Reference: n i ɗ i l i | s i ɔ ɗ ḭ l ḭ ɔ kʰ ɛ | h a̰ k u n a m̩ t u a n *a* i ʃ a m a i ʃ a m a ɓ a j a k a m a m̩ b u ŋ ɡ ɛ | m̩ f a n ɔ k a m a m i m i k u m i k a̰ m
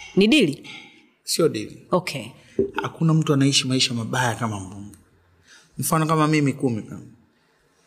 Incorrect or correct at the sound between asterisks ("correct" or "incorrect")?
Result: correct